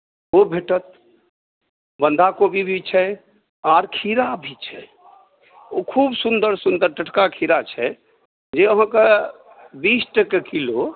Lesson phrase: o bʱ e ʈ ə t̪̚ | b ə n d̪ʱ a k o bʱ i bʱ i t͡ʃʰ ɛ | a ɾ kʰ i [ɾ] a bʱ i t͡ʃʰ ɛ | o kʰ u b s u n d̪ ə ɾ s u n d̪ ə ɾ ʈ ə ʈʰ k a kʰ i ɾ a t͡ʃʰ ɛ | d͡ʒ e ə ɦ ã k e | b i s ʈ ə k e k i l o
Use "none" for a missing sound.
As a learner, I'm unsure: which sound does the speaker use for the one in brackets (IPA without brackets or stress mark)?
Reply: ɾ